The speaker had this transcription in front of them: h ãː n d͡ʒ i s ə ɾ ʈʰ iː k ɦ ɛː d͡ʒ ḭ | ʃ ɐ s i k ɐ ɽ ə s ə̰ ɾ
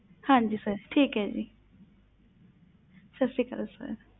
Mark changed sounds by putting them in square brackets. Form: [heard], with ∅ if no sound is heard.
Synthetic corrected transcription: h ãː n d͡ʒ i s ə ɾ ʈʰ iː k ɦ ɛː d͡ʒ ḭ | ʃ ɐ s i k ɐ [ɾ] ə s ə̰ ɾ